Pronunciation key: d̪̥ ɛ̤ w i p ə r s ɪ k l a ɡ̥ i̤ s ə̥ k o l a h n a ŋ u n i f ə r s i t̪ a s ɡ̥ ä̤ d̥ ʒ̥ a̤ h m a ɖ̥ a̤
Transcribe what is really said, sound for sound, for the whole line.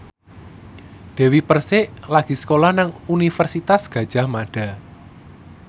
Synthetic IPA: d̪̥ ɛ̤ w i p ə r s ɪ ʔ l a ɡ̥ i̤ s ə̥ k o l a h n a ŋ u n i f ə r s i t̪ a s ɡ̥ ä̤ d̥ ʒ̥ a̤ h m a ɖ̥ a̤